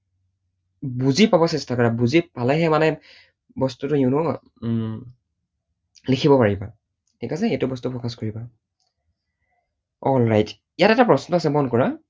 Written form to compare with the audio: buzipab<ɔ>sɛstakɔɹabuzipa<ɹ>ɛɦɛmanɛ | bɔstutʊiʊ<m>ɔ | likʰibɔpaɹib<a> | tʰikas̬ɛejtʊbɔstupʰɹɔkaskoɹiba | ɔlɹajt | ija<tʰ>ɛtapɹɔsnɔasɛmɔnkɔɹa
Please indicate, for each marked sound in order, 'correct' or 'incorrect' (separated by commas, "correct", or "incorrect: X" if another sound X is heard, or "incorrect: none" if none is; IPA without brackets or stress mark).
correct, incorrect: l, incorrect: n, correct, incorrect: t